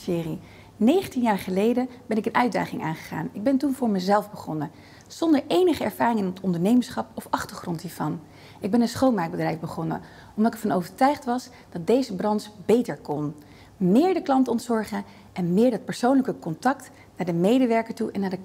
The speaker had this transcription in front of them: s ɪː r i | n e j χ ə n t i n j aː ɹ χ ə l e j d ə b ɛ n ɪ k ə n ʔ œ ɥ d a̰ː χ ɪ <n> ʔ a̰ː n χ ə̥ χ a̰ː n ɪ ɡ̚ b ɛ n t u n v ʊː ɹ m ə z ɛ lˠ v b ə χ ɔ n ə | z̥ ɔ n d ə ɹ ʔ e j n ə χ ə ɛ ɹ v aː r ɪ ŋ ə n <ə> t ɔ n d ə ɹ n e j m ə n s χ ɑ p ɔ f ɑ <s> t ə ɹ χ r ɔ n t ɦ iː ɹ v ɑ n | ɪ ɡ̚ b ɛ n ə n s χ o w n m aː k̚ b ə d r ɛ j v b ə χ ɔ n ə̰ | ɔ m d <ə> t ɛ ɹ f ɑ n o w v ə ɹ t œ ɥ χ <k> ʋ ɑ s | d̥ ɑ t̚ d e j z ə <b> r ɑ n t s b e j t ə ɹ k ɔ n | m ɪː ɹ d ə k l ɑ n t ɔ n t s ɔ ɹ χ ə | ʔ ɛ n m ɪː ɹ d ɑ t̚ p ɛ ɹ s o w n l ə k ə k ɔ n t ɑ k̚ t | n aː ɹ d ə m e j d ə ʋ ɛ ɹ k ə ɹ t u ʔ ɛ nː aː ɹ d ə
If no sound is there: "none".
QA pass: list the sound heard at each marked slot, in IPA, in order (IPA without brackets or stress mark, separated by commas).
ŋ, ə, χ, ɑ, t, b